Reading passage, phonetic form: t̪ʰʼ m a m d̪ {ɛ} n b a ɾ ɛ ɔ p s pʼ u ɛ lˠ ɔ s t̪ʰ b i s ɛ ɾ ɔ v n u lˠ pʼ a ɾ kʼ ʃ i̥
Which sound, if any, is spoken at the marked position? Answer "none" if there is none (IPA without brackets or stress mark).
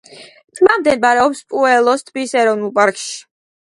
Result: ɛ